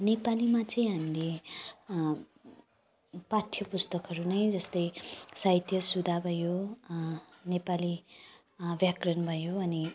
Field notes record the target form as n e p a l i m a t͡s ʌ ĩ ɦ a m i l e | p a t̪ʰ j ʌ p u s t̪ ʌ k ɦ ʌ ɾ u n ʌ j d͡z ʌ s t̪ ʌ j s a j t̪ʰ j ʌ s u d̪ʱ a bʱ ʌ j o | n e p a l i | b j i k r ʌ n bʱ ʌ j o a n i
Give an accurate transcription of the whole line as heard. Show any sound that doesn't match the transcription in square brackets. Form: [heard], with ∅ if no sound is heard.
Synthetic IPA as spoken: n e p a l i m a t͡s ʌ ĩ ɦ a m i l e | p a t̪ʰ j ʌ p u s t̪ ʌ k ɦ ʌ ɾ u n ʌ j d͡z ʌ s t̪ ʌ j s a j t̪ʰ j ʌ s u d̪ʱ a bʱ ʌ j o | n e p a l i | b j [a] k r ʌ n bʱ ʌ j o [ʌ] n i